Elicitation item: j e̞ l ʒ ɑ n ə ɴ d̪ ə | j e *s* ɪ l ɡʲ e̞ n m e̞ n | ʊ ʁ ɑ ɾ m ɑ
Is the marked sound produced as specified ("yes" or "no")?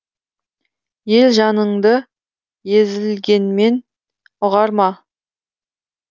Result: no